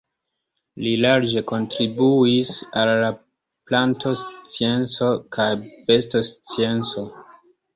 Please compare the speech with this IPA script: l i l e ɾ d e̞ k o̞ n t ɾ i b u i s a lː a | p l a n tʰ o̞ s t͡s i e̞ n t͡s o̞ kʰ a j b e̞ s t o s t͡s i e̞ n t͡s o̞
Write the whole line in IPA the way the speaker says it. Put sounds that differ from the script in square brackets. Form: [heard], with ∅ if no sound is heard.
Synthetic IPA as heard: l i l [a] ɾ [d͡ʒ] e̞ k o̞ n t ɾ i b u i s a lː a | p l a n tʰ o̞ s t͡s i e̞ n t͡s o̞ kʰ a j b e̞ s t o s t͡s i e̞ n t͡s o̞